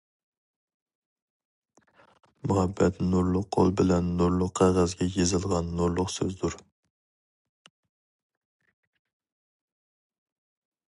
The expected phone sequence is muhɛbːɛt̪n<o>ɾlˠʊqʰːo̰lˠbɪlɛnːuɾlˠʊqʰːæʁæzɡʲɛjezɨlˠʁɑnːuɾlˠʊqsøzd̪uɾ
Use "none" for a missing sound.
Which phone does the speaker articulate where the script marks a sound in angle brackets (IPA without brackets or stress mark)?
u